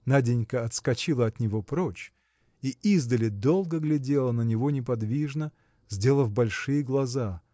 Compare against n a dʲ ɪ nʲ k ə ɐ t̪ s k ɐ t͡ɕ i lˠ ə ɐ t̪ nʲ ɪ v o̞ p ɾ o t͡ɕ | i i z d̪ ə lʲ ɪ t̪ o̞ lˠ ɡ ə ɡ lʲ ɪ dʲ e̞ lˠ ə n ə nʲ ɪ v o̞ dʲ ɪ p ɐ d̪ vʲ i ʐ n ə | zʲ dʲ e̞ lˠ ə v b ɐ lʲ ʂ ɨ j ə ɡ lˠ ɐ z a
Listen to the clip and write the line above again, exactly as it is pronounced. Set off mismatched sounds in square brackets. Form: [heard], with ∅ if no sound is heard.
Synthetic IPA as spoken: n a dʲ ɪ nʲ k ə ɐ t̪ s k ɐ t͡ɕ i lˠ ə ɐ t̪ nʲ ɪ v o̞ p ɾ o t͡ɕ | i i z d̪ ə lʲ ɪ [d̪] o̞ lˠ ɡ ə ɡ lʲ ɪ dʲ e̞ lˠ ə n ə nʲ ɪ v o̞ [nʲ] ɪ p ɐ d̪ vʲ i ʐ n ə | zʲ dʲ e̞ lˠ ə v b ɐ lʲ ʂ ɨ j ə ɡ lˠ ɐ z a